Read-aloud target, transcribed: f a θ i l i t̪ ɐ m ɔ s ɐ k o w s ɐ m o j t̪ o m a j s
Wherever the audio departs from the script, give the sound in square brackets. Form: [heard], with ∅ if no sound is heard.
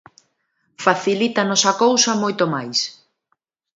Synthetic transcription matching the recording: f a θ i l i t̪ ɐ [n] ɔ s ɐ k o w s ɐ m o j t̪ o m a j s